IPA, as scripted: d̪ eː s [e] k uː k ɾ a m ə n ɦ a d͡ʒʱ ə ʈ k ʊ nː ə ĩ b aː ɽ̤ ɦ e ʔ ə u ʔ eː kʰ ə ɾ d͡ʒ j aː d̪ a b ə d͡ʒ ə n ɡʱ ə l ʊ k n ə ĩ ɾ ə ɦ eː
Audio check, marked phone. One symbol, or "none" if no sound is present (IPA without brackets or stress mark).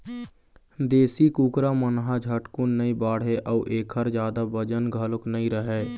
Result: i